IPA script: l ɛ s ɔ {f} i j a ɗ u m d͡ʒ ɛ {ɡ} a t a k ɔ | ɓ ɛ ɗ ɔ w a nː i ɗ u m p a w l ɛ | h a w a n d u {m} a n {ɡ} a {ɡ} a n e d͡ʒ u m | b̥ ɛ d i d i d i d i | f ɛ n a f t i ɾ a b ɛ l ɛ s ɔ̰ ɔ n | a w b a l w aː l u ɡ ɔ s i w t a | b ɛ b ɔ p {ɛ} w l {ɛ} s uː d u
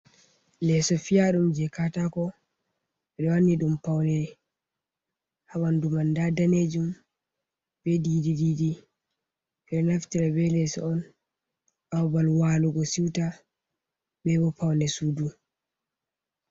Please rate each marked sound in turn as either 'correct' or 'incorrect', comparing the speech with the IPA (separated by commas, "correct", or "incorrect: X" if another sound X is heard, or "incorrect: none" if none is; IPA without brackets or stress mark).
correct, incorrect: k, correct, incorrect: d, incorrect: d, incorrect: a, correct